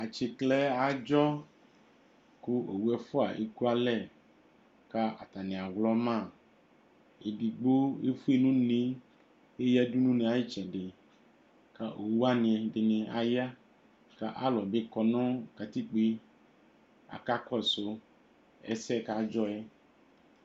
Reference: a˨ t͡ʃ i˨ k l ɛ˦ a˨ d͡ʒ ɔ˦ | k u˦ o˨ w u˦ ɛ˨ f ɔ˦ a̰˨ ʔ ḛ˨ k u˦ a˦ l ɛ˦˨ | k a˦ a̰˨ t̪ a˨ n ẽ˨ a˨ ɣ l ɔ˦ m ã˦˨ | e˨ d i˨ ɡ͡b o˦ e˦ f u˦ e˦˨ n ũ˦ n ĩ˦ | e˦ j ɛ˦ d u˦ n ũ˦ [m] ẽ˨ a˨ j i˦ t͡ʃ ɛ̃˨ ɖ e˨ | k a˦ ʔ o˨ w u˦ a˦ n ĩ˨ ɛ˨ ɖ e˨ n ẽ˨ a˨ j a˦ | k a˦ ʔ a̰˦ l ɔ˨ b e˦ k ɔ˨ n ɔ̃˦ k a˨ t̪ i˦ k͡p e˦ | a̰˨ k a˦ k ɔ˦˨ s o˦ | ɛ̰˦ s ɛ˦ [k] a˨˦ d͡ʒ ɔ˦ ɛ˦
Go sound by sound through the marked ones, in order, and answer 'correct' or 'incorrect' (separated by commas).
incorrect, correct